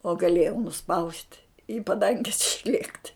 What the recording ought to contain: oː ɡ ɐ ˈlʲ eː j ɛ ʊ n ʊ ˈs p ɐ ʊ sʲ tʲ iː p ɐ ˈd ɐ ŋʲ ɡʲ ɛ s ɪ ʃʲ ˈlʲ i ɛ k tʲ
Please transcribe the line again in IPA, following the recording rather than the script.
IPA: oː ɡ ɐ ˈlʲ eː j ɛ ʊ n ʊ ˈs p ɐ ʊ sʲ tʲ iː p ɐ ˈd ɐ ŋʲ ɡʲ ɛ s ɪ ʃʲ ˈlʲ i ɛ k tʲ